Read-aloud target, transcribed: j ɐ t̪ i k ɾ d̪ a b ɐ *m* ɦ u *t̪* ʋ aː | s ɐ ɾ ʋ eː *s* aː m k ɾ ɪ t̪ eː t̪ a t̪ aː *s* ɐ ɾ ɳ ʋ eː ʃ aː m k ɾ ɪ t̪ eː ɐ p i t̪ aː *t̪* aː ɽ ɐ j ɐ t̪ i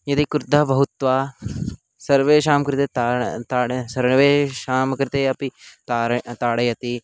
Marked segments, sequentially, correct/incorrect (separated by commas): incorrect, correct, incorrect, correct, correct